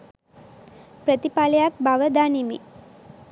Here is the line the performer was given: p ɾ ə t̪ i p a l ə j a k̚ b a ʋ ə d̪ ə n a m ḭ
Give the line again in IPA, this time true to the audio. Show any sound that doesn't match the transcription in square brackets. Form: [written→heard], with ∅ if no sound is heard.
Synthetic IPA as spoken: p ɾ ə t̪ i p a l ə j a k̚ b a ʋ ə d̪ [ə→a] n [a→i] m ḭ